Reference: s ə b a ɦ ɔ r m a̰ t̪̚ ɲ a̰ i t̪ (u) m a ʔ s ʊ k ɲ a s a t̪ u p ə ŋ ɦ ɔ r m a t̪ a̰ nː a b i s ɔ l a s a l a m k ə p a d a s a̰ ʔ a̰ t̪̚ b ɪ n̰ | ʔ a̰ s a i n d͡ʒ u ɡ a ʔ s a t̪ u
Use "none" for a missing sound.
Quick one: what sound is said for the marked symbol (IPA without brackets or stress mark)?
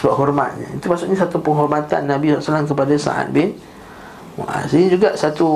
u